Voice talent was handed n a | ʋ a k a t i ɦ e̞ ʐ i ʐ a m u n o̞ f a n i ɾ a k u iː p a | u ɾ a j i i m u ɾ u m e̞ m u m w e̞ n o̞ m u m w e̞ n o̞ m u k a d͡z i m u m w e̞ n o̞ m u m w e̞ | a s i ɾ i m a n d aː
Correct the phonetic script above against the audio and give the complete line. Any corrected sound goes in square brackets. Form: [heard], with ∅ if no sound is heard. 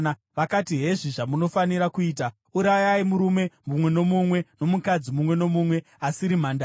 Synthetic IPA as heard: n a | ʋ a k a t i ɦ e̞ ʐ i ʐ a m u n o̞ f a n i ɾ a k u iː [t] a | u ɾ a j [a] i m u ɾ u m e̞ m u m w e̞ n o̞ m u m w e̞ n o̞ m u k a d͡z i m u m w e̞ n o̞ m u m w e̞ | a s i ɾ i m a n d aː